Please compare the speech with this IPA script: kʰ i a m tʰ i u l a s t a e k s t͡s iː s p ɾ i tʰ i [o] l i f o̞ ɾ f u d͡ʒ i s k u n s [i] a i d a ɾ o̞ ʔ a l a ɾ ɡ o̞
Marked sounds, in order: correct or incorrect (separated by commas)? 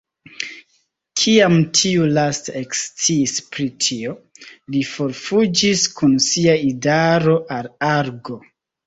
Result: correct, correct